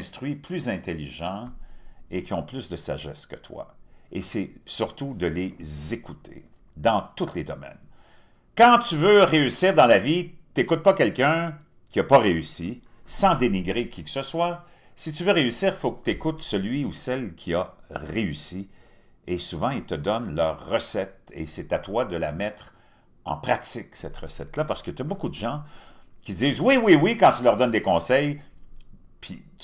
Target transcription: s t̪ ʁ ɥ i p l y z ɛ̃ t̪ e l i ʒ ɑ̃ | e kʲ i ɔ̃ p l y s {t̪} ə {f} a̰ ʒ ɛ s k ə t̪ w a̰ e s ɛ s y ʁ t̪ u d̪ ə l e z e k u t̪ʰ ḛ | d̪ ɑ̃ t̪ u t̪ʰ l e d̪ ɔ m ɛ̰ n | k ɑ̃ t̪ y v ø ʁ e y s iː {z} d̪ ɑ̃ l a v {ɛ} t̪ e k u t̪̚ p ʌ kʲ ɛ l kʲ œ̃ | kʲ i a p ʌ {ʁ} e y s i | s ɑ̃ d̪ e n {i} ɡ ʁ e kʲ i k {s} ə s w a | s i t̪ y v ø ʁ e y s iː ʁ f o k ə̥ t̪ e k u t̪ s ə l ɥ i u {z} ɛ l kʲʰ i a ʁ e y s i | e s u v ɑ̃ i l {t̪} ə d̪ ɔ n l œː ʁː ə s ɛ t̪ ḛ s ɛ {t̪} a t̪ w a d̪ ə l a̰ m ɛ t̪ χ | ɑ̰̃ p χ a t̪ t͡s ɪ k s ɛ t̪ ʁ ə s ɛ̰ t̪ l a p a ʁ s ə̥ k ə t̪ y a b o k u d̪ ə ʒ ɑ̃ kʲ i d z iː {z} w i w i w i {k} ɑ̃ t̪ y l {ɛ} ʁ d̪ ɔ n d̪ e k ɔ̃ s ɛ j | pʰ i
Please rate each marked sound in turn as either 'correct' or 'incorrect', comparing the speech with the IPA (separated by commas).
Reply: incorrect, incorrect, incorrect, incorrect, correct, correct, correct, incorrect, correct, correct, correct, correct, incorrect